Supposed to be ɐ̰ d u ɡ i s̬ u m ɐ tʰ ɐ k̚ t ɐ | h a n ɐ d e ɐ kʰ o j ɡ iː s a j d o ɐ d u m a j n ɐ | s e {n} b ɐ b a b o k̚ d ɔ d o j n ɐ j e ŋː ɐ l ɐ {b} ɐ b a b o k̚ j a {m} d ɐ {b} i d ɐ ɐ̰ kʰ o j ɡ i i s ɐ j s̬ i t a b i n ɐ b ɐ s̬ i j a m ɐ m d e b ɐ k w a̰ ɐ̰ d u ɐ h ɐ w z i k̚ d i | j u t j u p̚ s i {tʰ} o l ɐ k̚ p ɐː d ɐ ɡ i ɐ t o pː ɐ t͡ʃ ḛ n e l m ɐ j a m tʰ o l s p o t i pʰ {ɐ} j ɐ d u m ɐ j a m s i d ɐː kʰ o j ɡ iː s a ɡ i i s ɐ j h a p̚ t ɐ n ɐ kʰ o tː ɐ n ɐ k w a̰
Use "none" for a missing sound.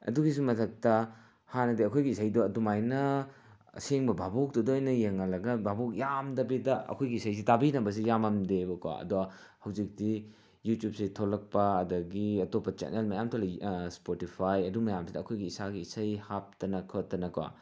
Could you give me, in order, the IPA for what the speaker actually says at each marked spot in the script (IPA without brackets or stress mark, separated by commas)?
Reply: ŋ, ɡ, m, b, tʰ, a